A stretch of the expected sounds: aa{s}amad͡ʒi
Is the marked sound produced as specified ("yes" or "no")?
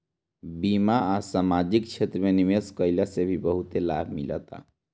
yes